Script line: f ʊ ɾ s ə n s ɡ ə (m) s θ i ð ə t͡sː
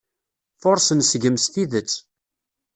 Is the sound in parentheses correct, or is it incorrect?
correct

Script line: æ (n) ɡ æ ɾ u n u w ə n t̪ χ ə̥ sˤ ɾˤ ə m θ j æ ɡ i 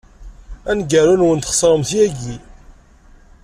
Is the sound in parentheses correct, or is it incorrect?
correct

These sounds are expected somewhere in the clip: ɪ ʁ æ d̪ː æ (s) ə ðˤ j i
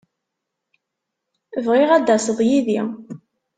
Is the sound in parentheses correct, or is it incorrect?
correct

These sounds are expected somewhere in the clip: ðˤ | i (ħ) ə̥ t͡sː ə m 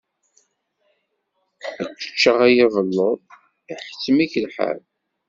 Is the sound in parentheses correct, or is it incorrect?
correct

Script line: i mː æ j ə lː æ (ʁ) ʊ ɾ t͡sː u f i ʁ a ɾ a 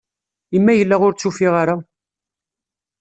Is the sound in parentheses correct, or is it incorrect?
correct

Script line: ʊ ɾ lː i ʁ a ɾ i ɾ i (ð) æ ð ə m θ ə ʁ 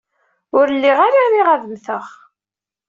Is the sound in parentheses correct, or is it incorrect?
incorrect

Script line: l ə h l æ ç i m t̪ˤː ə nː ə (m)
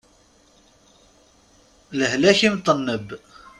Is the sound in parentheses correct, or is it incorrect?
incorrect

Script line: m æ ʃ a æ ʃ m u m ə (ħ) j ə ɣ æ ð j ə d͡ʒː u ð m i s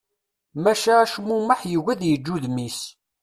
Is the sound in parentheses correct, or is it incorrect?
correct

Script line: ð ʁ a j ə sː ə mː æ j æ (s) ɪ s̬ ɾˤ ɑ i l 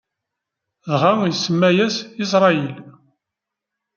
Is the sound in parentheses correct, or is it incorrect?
correct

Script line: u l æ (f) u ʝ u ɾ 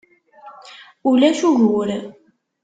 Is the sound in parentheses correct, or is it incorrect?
incorrect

